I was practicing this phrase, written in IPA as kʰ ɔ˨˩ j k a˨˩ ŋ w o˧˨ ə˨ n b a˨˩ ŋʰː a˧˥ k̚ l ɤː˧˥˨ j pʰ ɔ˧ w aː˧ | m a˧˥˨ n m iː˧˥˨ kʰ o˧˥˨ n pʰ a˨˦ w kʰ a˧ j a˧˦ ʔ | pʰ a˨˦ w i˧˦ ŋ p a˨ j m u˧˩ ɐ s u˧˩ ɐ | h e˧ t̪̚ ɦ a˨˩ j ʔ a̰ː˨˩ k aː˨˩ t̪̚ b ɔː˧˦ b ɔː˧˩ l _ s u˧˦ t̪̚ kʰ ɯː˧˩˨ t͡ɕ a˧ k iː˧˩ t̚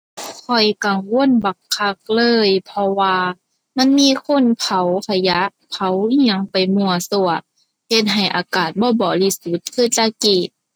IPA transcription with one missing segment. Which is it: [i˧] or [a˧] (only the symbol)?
i˧